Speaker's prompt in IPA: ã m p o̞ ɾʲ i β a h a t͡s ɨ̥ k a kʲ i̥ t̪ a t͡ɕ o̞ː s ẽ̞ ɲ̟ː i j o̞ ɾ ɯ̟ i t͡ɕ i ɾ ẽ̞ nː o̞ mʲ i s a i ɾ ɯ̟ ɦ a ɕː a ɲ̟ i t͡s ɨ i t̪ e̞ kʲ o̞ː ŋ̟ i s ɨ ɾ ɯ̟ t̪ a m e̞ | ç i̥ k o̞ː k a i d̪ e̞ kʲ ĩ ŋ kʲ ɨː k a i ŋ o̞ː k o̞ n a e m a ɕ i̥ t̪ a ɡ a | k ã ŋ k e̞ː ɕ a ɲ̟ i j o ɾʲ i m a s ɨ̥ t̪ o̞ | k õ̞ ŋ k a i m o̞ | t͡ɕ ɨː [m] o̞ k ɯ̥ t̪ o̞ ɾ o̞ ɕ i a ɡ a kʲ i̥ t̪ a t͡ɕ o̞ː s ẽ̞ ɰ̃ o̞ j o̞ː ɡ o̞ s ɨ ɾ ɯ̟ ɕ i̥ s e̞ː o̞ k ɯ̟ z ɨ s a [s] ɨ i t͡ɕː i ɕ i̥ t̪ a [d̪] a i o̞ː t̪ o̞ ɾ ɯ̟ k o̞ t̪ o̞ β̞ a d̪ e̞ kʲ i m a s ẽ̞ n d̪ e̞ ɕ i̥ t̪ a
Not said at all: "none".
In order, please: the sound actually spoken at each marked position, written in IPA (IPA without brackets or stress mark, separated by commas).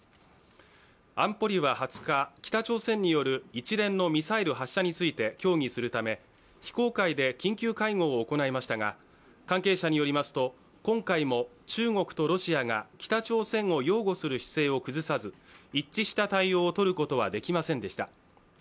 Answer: ŋ, z, t̪